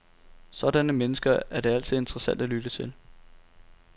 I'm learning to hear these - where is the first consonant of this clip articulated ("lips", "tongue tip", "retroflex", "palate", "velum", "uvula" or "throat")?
tongue tip